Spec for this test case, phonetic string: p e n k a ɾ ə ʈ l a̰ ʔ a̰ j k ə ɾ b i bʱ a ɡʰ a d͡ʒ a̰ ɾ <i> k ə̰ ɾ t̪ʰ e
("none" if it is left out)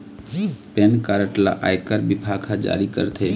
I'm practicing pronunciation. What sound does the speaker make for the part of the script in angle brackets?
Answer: i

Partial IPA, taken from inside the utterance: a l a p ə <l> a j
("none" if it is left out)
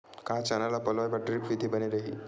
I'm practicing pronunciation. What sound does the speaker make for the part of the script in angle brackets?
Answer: l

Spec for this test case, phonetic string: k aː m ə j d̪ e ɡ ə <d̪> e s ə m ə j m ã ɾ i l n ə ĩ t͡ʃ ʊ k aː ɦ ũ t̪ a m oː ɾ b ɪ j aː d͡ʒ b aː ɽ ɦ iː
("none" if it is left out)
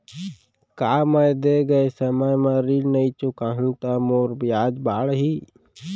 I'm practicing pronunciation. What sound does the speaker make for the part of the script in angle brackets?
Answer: none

